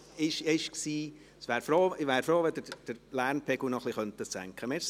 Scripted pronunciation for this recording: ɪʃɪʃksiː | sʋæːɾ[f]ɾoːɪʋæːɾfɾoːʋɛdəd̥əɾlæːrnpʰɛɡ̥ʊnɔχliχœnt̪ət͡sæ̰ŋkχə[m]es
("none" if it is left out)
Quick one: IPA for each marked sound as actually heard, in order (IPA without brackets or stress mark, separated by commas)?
f, m